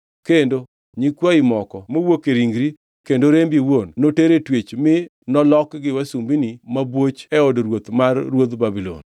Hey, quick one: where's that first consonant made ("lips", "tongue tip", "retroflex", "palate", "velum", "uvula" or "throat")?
velum